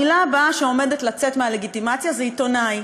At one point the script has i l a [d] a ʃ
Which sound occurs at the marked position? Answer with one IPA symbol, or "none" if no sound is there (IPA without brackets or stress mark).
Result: b